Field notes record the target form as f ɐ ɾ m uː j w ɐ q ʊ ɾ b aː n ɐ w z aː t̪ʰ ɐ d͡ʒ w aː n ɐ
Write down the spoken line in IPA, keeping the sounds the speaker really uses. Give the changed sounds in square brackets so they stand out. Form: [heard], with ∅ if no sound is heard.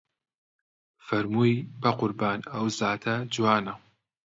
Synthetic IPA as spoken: f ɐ ɾ m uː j [b] ɐ q ʊ ɾ b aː n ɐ w z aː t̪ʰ ɐ d͡ʒ w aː n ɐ